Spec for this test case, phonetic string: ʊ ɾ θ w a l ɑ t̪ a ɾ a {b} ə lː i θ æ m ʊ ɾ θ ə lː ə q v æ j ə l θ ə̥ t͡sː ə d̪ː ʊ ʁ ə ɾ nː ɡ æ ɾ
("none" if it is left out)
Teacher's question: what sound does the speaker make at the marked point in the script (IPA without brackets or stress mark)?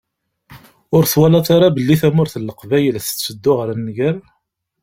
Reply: b